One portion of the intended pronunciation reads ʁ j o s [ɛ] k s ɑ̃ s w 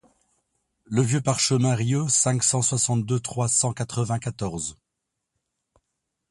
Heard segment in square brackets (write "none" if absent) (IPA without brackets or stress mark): ɛ̃